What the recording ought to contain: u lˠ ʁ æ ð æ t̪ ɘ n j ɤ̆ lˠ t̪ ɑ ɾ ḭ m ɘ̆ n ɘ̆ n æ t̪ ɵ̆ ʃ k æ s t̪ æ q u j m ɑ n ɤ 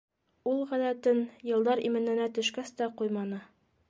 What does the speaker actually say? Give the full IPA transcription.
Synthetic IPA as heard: u lˠ ʁ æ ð æ t̪ ɘ n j ɤ̆ lˠ d̪ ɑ ɾ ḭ m ɘ̆ n ɘ̆ n æ t̪ ɵ̆ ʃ k æ s t̪ æ q u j m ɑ n ɤ